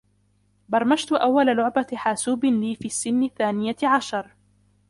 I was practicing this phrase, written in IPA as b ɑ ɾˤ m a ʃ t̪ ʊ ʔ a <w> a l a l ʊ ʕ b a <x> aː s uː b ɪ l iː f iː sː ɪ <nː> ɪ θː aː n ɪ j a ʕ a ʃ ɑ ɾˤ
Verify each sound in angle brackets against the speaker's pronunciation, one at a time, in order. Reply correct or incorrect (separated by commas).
incorrect, incorrect, correct